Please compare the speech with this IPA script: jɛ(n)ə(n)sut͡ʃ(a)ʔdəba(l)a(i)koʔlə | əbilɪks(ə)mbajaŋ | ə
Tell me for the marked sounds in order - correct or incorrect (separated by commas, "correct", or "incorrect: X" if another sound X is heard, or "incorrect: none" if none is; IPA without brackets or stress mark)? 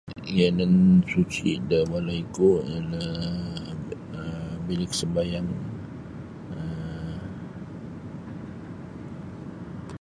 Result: correct, correct, incorrect: i, correct, correct, correct